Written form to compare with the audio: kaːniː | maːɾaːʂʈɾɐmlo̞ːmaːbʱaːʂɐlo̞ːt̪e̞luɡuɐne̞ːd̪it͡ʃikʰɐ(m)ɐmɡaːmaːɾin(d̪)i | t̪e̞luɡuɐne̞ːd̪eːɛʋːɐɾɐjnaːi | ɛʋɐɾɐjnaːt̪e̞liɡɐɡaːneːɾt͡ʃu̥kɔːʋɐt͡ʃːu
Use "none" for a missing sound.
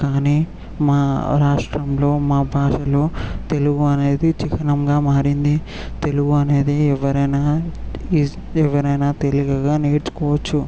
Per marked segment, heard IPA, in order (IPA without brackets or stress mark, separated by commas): n, d̪